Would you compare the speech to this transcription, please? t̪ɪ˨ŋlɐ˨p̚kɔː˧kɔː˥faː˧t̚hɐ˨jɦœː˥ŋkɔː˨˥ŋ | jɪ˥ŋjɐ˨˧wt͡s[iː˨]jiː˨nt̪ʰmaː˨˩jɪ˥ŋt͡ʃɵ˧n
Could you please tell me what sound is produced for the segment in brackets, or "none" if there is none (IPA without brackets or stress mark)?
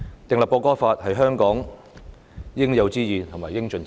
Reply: iː˥